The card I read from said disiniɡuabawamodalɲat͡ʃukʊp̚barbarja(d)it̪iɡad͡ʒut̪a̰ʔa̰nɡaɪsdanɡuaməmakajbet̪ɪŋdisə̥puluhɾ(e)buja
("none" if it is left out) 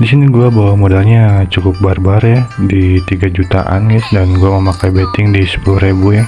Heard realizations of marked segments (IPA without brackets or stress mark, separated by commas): d, e